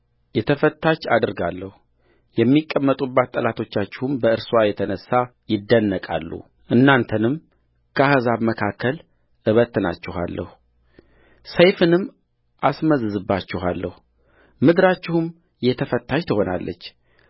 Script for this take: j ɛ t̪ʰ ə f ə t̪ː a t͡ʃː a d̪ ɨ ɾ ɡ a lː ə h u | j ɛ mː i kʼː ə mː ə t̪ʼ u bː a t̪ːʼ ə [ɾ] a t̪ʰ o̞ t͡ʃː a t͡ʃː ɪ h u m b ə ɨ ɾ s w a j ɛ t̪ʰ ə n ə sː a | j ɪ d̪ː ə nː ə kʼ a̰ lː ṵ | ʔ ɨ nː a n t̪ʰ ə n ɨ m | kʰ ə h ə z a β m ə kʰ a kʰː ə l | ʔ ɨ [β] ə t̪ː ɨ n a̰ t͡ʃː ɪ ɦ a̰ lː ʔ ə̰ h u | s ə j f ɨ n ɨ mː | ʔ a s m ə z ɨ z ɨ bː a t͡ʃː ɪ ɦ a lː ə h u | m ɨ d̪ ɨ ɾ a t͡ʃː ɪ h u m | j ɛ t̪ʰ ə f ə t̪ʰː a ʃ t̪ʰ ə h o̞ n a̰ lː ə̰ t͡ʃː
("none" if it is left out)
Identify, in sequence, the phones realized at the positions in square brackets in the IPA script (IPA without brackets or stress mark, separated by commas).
l, β